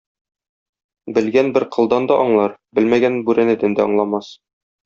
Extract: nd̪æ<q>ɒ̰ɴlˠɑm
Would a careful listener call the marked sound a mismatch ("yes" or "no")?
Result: yes